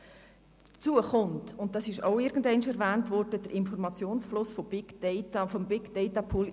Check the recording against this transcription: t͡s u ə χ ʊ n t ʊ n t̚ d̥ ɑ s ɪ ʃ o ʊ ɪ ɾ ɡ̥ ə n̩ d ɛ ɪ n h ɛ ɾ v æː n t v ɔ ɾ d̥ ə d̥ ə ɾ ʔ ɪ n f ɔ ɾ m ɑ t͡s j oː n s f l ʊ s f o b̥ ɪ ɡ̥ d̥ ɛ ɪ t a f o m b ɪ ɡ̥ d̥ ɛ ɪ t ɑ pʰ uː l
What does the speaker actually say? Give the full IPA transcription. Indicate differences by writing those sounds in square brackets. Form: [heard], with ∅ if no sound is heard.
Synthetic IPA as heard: t͡s u ə χ ʊ n t ʊ n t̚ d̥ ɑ s ɪ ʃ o ʊ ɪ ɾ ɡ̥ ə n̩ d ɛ ɪ n [ʃ] ɛ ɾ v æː n t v ɔ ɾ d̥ ə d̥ ə ɾ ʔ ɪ n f ɔ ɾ m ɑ t͡s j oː n s f l ʊ s f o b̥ ɪ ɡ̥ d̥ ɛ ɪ t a f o m b ɪ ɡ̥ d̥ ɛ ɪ t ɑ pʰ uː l

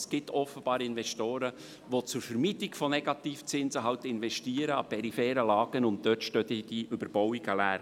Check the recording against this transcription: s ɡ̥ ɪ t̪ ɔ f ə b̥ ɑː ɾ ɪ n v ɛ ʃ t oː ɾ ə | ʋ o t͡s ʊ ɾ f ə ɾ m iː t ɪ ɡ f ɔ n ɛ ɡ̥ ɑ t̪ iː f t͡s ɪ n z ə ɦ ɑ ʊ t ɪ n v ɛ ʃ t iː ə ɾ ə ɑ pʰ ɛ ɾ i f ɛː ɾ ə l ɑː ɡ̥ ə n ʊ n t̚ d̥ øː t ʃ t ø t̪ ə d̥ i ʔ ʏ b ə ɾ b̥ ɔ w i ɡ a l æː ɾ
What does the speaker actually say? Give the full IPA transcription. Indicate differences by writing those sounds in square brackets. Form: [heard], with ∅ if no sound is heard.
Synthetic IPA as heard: s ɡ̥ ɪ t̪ ɔ f ə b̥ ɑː ɾ ɪ n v ɛ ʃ t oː ɾ ə | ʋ o t͡s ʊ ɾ f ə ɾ m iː t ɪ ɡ f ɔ n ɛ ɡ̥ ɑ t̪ iː f t͡s ɪ n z ə ɦ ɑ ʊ t ɪ n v ɛ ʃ t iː ə ɾ ə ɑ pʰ ɛ ɾ i f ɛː ɾ ə l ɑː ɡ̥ ə n ʊ n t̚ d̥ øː t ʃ t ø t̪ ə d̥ i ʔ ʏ b ə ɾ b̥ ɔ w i ɡ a l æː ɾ

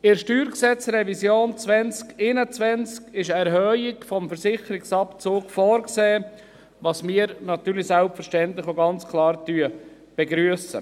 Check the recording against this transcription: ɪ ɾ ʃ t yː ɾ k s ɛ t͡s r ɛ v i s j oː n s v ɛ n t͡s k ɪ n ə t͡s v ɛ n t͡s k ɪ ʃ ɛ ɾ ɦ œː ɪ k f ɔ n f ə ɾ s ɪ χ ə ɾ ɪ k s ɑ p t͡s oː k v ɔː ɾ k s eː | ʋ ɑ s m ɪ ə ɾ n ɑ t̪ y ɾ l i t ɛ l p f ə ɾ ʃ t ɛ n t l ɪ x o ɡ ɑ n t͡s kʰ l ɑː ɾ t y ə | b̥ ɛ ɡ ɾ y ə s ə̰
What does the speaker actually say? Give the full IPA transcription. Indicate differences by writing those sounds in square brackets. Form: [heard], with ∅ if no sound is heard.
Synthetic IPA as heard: ɪ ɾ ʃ t yː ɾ k s ɛ t͡s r ɛ v i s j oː n [t͡s] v ɛ n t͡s k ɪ n ə t͡s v ɛ n t͡s k ɪ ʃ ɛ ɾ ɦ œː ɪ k f ɔ [m] f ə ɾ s ɪ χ ə ɾ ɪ k s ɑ p t͡s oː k [f] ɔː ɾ k s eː | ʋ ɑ s m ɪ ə ɾ n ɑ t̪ [yː] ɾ l i [s] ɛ l p f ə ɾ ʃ t ɛ n t l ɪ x o ɡ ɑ n t͡s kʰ l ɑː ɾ t y ə | b̥ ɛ ɡ ɾ y ə s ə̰

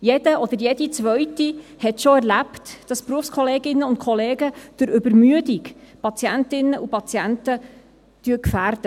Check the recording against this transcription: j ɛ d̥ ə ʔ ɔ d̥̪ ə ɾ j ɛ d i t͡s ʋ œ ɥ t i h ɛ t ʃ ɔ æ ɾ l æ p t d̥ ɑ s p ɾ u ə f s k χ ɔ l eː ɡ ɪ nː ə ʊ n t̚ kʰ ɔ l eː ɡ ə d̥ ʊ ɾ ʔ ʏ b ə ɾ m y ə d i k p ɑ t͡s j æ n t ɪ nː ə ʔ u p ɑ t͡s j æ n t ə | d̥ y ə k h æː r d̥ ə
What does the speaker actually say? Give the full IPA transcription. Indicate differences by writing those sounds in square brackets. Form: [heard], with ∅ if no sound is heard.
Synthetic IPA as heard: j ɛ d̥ ə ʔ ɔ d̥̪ ə ɾ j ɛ d i t͡s ʋ œ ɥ t i h ɛ t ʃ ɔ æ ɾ l æ p t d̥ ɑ s p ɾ u ə f s k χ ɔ l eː ɡ ɪ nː ə ʊ n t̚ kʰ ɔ l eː ɡ ə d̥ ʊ ɾ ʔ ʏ b ə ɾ m y ə d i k p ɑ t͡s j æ n t ɪ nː ə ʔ u p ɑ t͡s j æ n t ə | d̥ y ə k [f] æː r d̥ ə

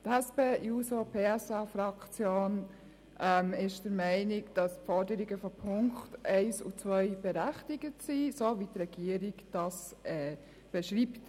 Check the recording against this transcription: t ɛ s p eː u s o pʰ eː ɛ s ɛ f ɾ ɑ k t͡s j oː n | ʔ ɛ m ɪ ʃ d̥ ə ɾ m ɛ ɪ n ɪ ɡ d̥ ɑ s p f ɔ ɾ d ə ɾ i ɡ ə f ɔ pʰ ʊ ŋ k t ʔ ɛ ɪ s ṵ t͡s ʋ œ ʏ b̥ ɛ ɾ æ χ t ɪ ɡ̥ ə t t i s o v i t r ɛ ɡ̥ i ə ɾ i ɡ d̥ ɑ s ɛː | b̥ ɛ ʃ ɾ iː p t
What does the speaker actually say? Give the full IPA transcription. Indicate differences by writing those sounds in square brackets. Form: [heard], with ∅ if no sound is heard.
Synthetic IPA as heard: t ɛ s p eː u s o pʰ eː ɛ s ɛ f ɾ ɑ k t͡s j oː n | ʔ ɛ m ɪ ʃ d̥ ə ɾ m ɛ ɪ n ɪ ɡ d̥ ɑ s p f ɔ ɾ d ə ɾ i ɡ ə f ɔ pʰ ʊ ŋ k t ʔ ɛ ɪ s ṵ t͡s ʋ œ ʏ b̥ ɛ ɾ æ χ t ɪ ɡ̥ ə t [s] i s o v i t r ɛ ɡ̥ i ə ɾ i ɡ d̥ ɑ s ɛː | b̥ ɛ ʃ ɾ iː p t

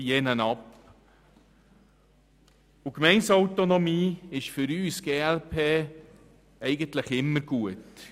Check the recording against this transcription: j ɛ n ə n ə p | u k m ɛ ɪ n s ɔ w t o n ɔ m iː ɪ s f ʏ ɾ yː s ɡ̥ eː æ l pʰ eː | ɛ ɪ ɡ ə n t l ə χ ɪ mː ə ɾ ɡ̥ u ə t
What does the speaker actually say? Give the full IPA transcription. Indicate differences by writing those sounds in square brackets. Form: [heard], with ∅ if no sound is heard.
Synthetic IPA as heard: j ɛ n ə n [ɑ] p | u k m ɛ ɪ n s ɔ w t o n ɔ m iː ɪ [ʃ] f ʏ ɾ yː s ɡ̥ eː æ l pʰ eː | ɛ ɪ ɡ ə n t l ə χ ɪ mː ə ɾ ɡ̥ u ə t

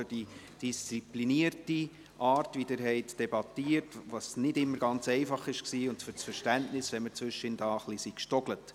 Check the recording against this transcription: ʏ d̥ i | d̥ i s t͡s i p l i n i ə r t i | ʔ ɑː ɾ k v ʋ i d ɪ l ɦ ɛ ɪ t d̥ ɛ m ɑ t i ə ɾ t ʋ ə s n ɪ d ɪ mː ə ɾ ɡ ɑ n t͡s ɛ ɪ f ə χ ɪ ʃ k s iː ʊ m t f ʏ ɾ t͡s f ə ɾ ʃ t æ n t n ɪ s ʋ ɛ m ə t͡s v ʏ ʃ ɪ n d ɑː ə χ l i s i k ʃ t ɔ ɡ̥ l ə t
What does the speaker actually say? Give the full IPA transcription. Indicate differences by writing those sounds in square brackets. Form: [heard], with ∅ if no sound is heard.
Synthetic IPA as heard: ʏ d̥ i | d̥ i s t͡s i p l i n i ə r t i | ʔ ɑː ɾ [t] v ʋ i d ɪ [ɾ] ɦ ɛ ɪ t d̥ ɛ [b] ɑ t i ə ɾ t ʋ [ɑ] s n ɪ d ɪ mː ə ɾ ɡ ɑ n t͡s ɛ ɪ f [ɑ] χ ɪ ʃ k s iː ʊ [n] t f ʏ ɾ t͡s f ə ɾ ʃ t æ n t n ɪ s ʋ ɛ m ə t͡s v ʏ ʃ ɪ n d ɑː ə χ l i s i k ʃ t ɔ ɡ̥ l ə t

